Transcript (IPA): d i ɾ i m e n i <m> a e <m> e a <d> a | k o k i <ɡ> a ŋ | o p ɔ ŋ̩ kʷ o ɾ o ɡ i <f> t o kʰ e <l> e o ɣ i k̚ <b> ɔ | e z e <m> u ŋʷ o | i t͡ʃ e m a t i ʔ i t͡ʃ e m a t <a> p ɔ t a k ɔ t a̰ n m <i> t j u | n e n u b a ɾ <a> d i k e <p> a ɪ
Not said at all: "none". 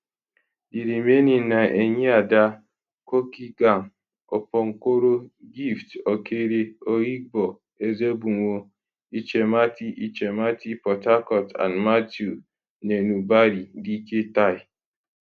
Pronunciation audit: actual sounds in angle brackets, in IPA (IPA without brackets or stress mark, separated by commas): n, ɲ, d, ɡ, f, ɾ, b, b, i, a, i, t